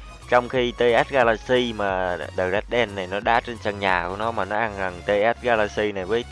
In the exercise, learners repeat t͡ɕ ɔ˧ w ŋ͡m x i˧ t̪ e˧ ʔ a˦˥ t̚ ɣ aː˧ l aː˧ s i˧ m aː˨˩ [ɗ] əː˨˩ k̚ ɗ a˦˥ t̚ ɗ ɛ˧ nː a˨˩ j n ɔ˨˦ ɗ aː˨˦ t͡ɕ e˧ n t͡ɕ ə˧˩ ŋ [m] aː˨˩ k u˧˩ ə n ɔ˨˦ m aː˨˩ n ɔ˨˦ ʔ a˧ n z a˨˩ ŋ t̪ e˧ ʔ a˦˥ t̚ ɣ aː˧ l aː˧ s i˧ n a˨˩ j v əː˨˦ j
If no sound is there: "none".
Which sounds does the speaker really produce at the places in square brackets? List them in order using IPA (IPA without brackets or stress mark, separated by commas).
ɗ, ɲ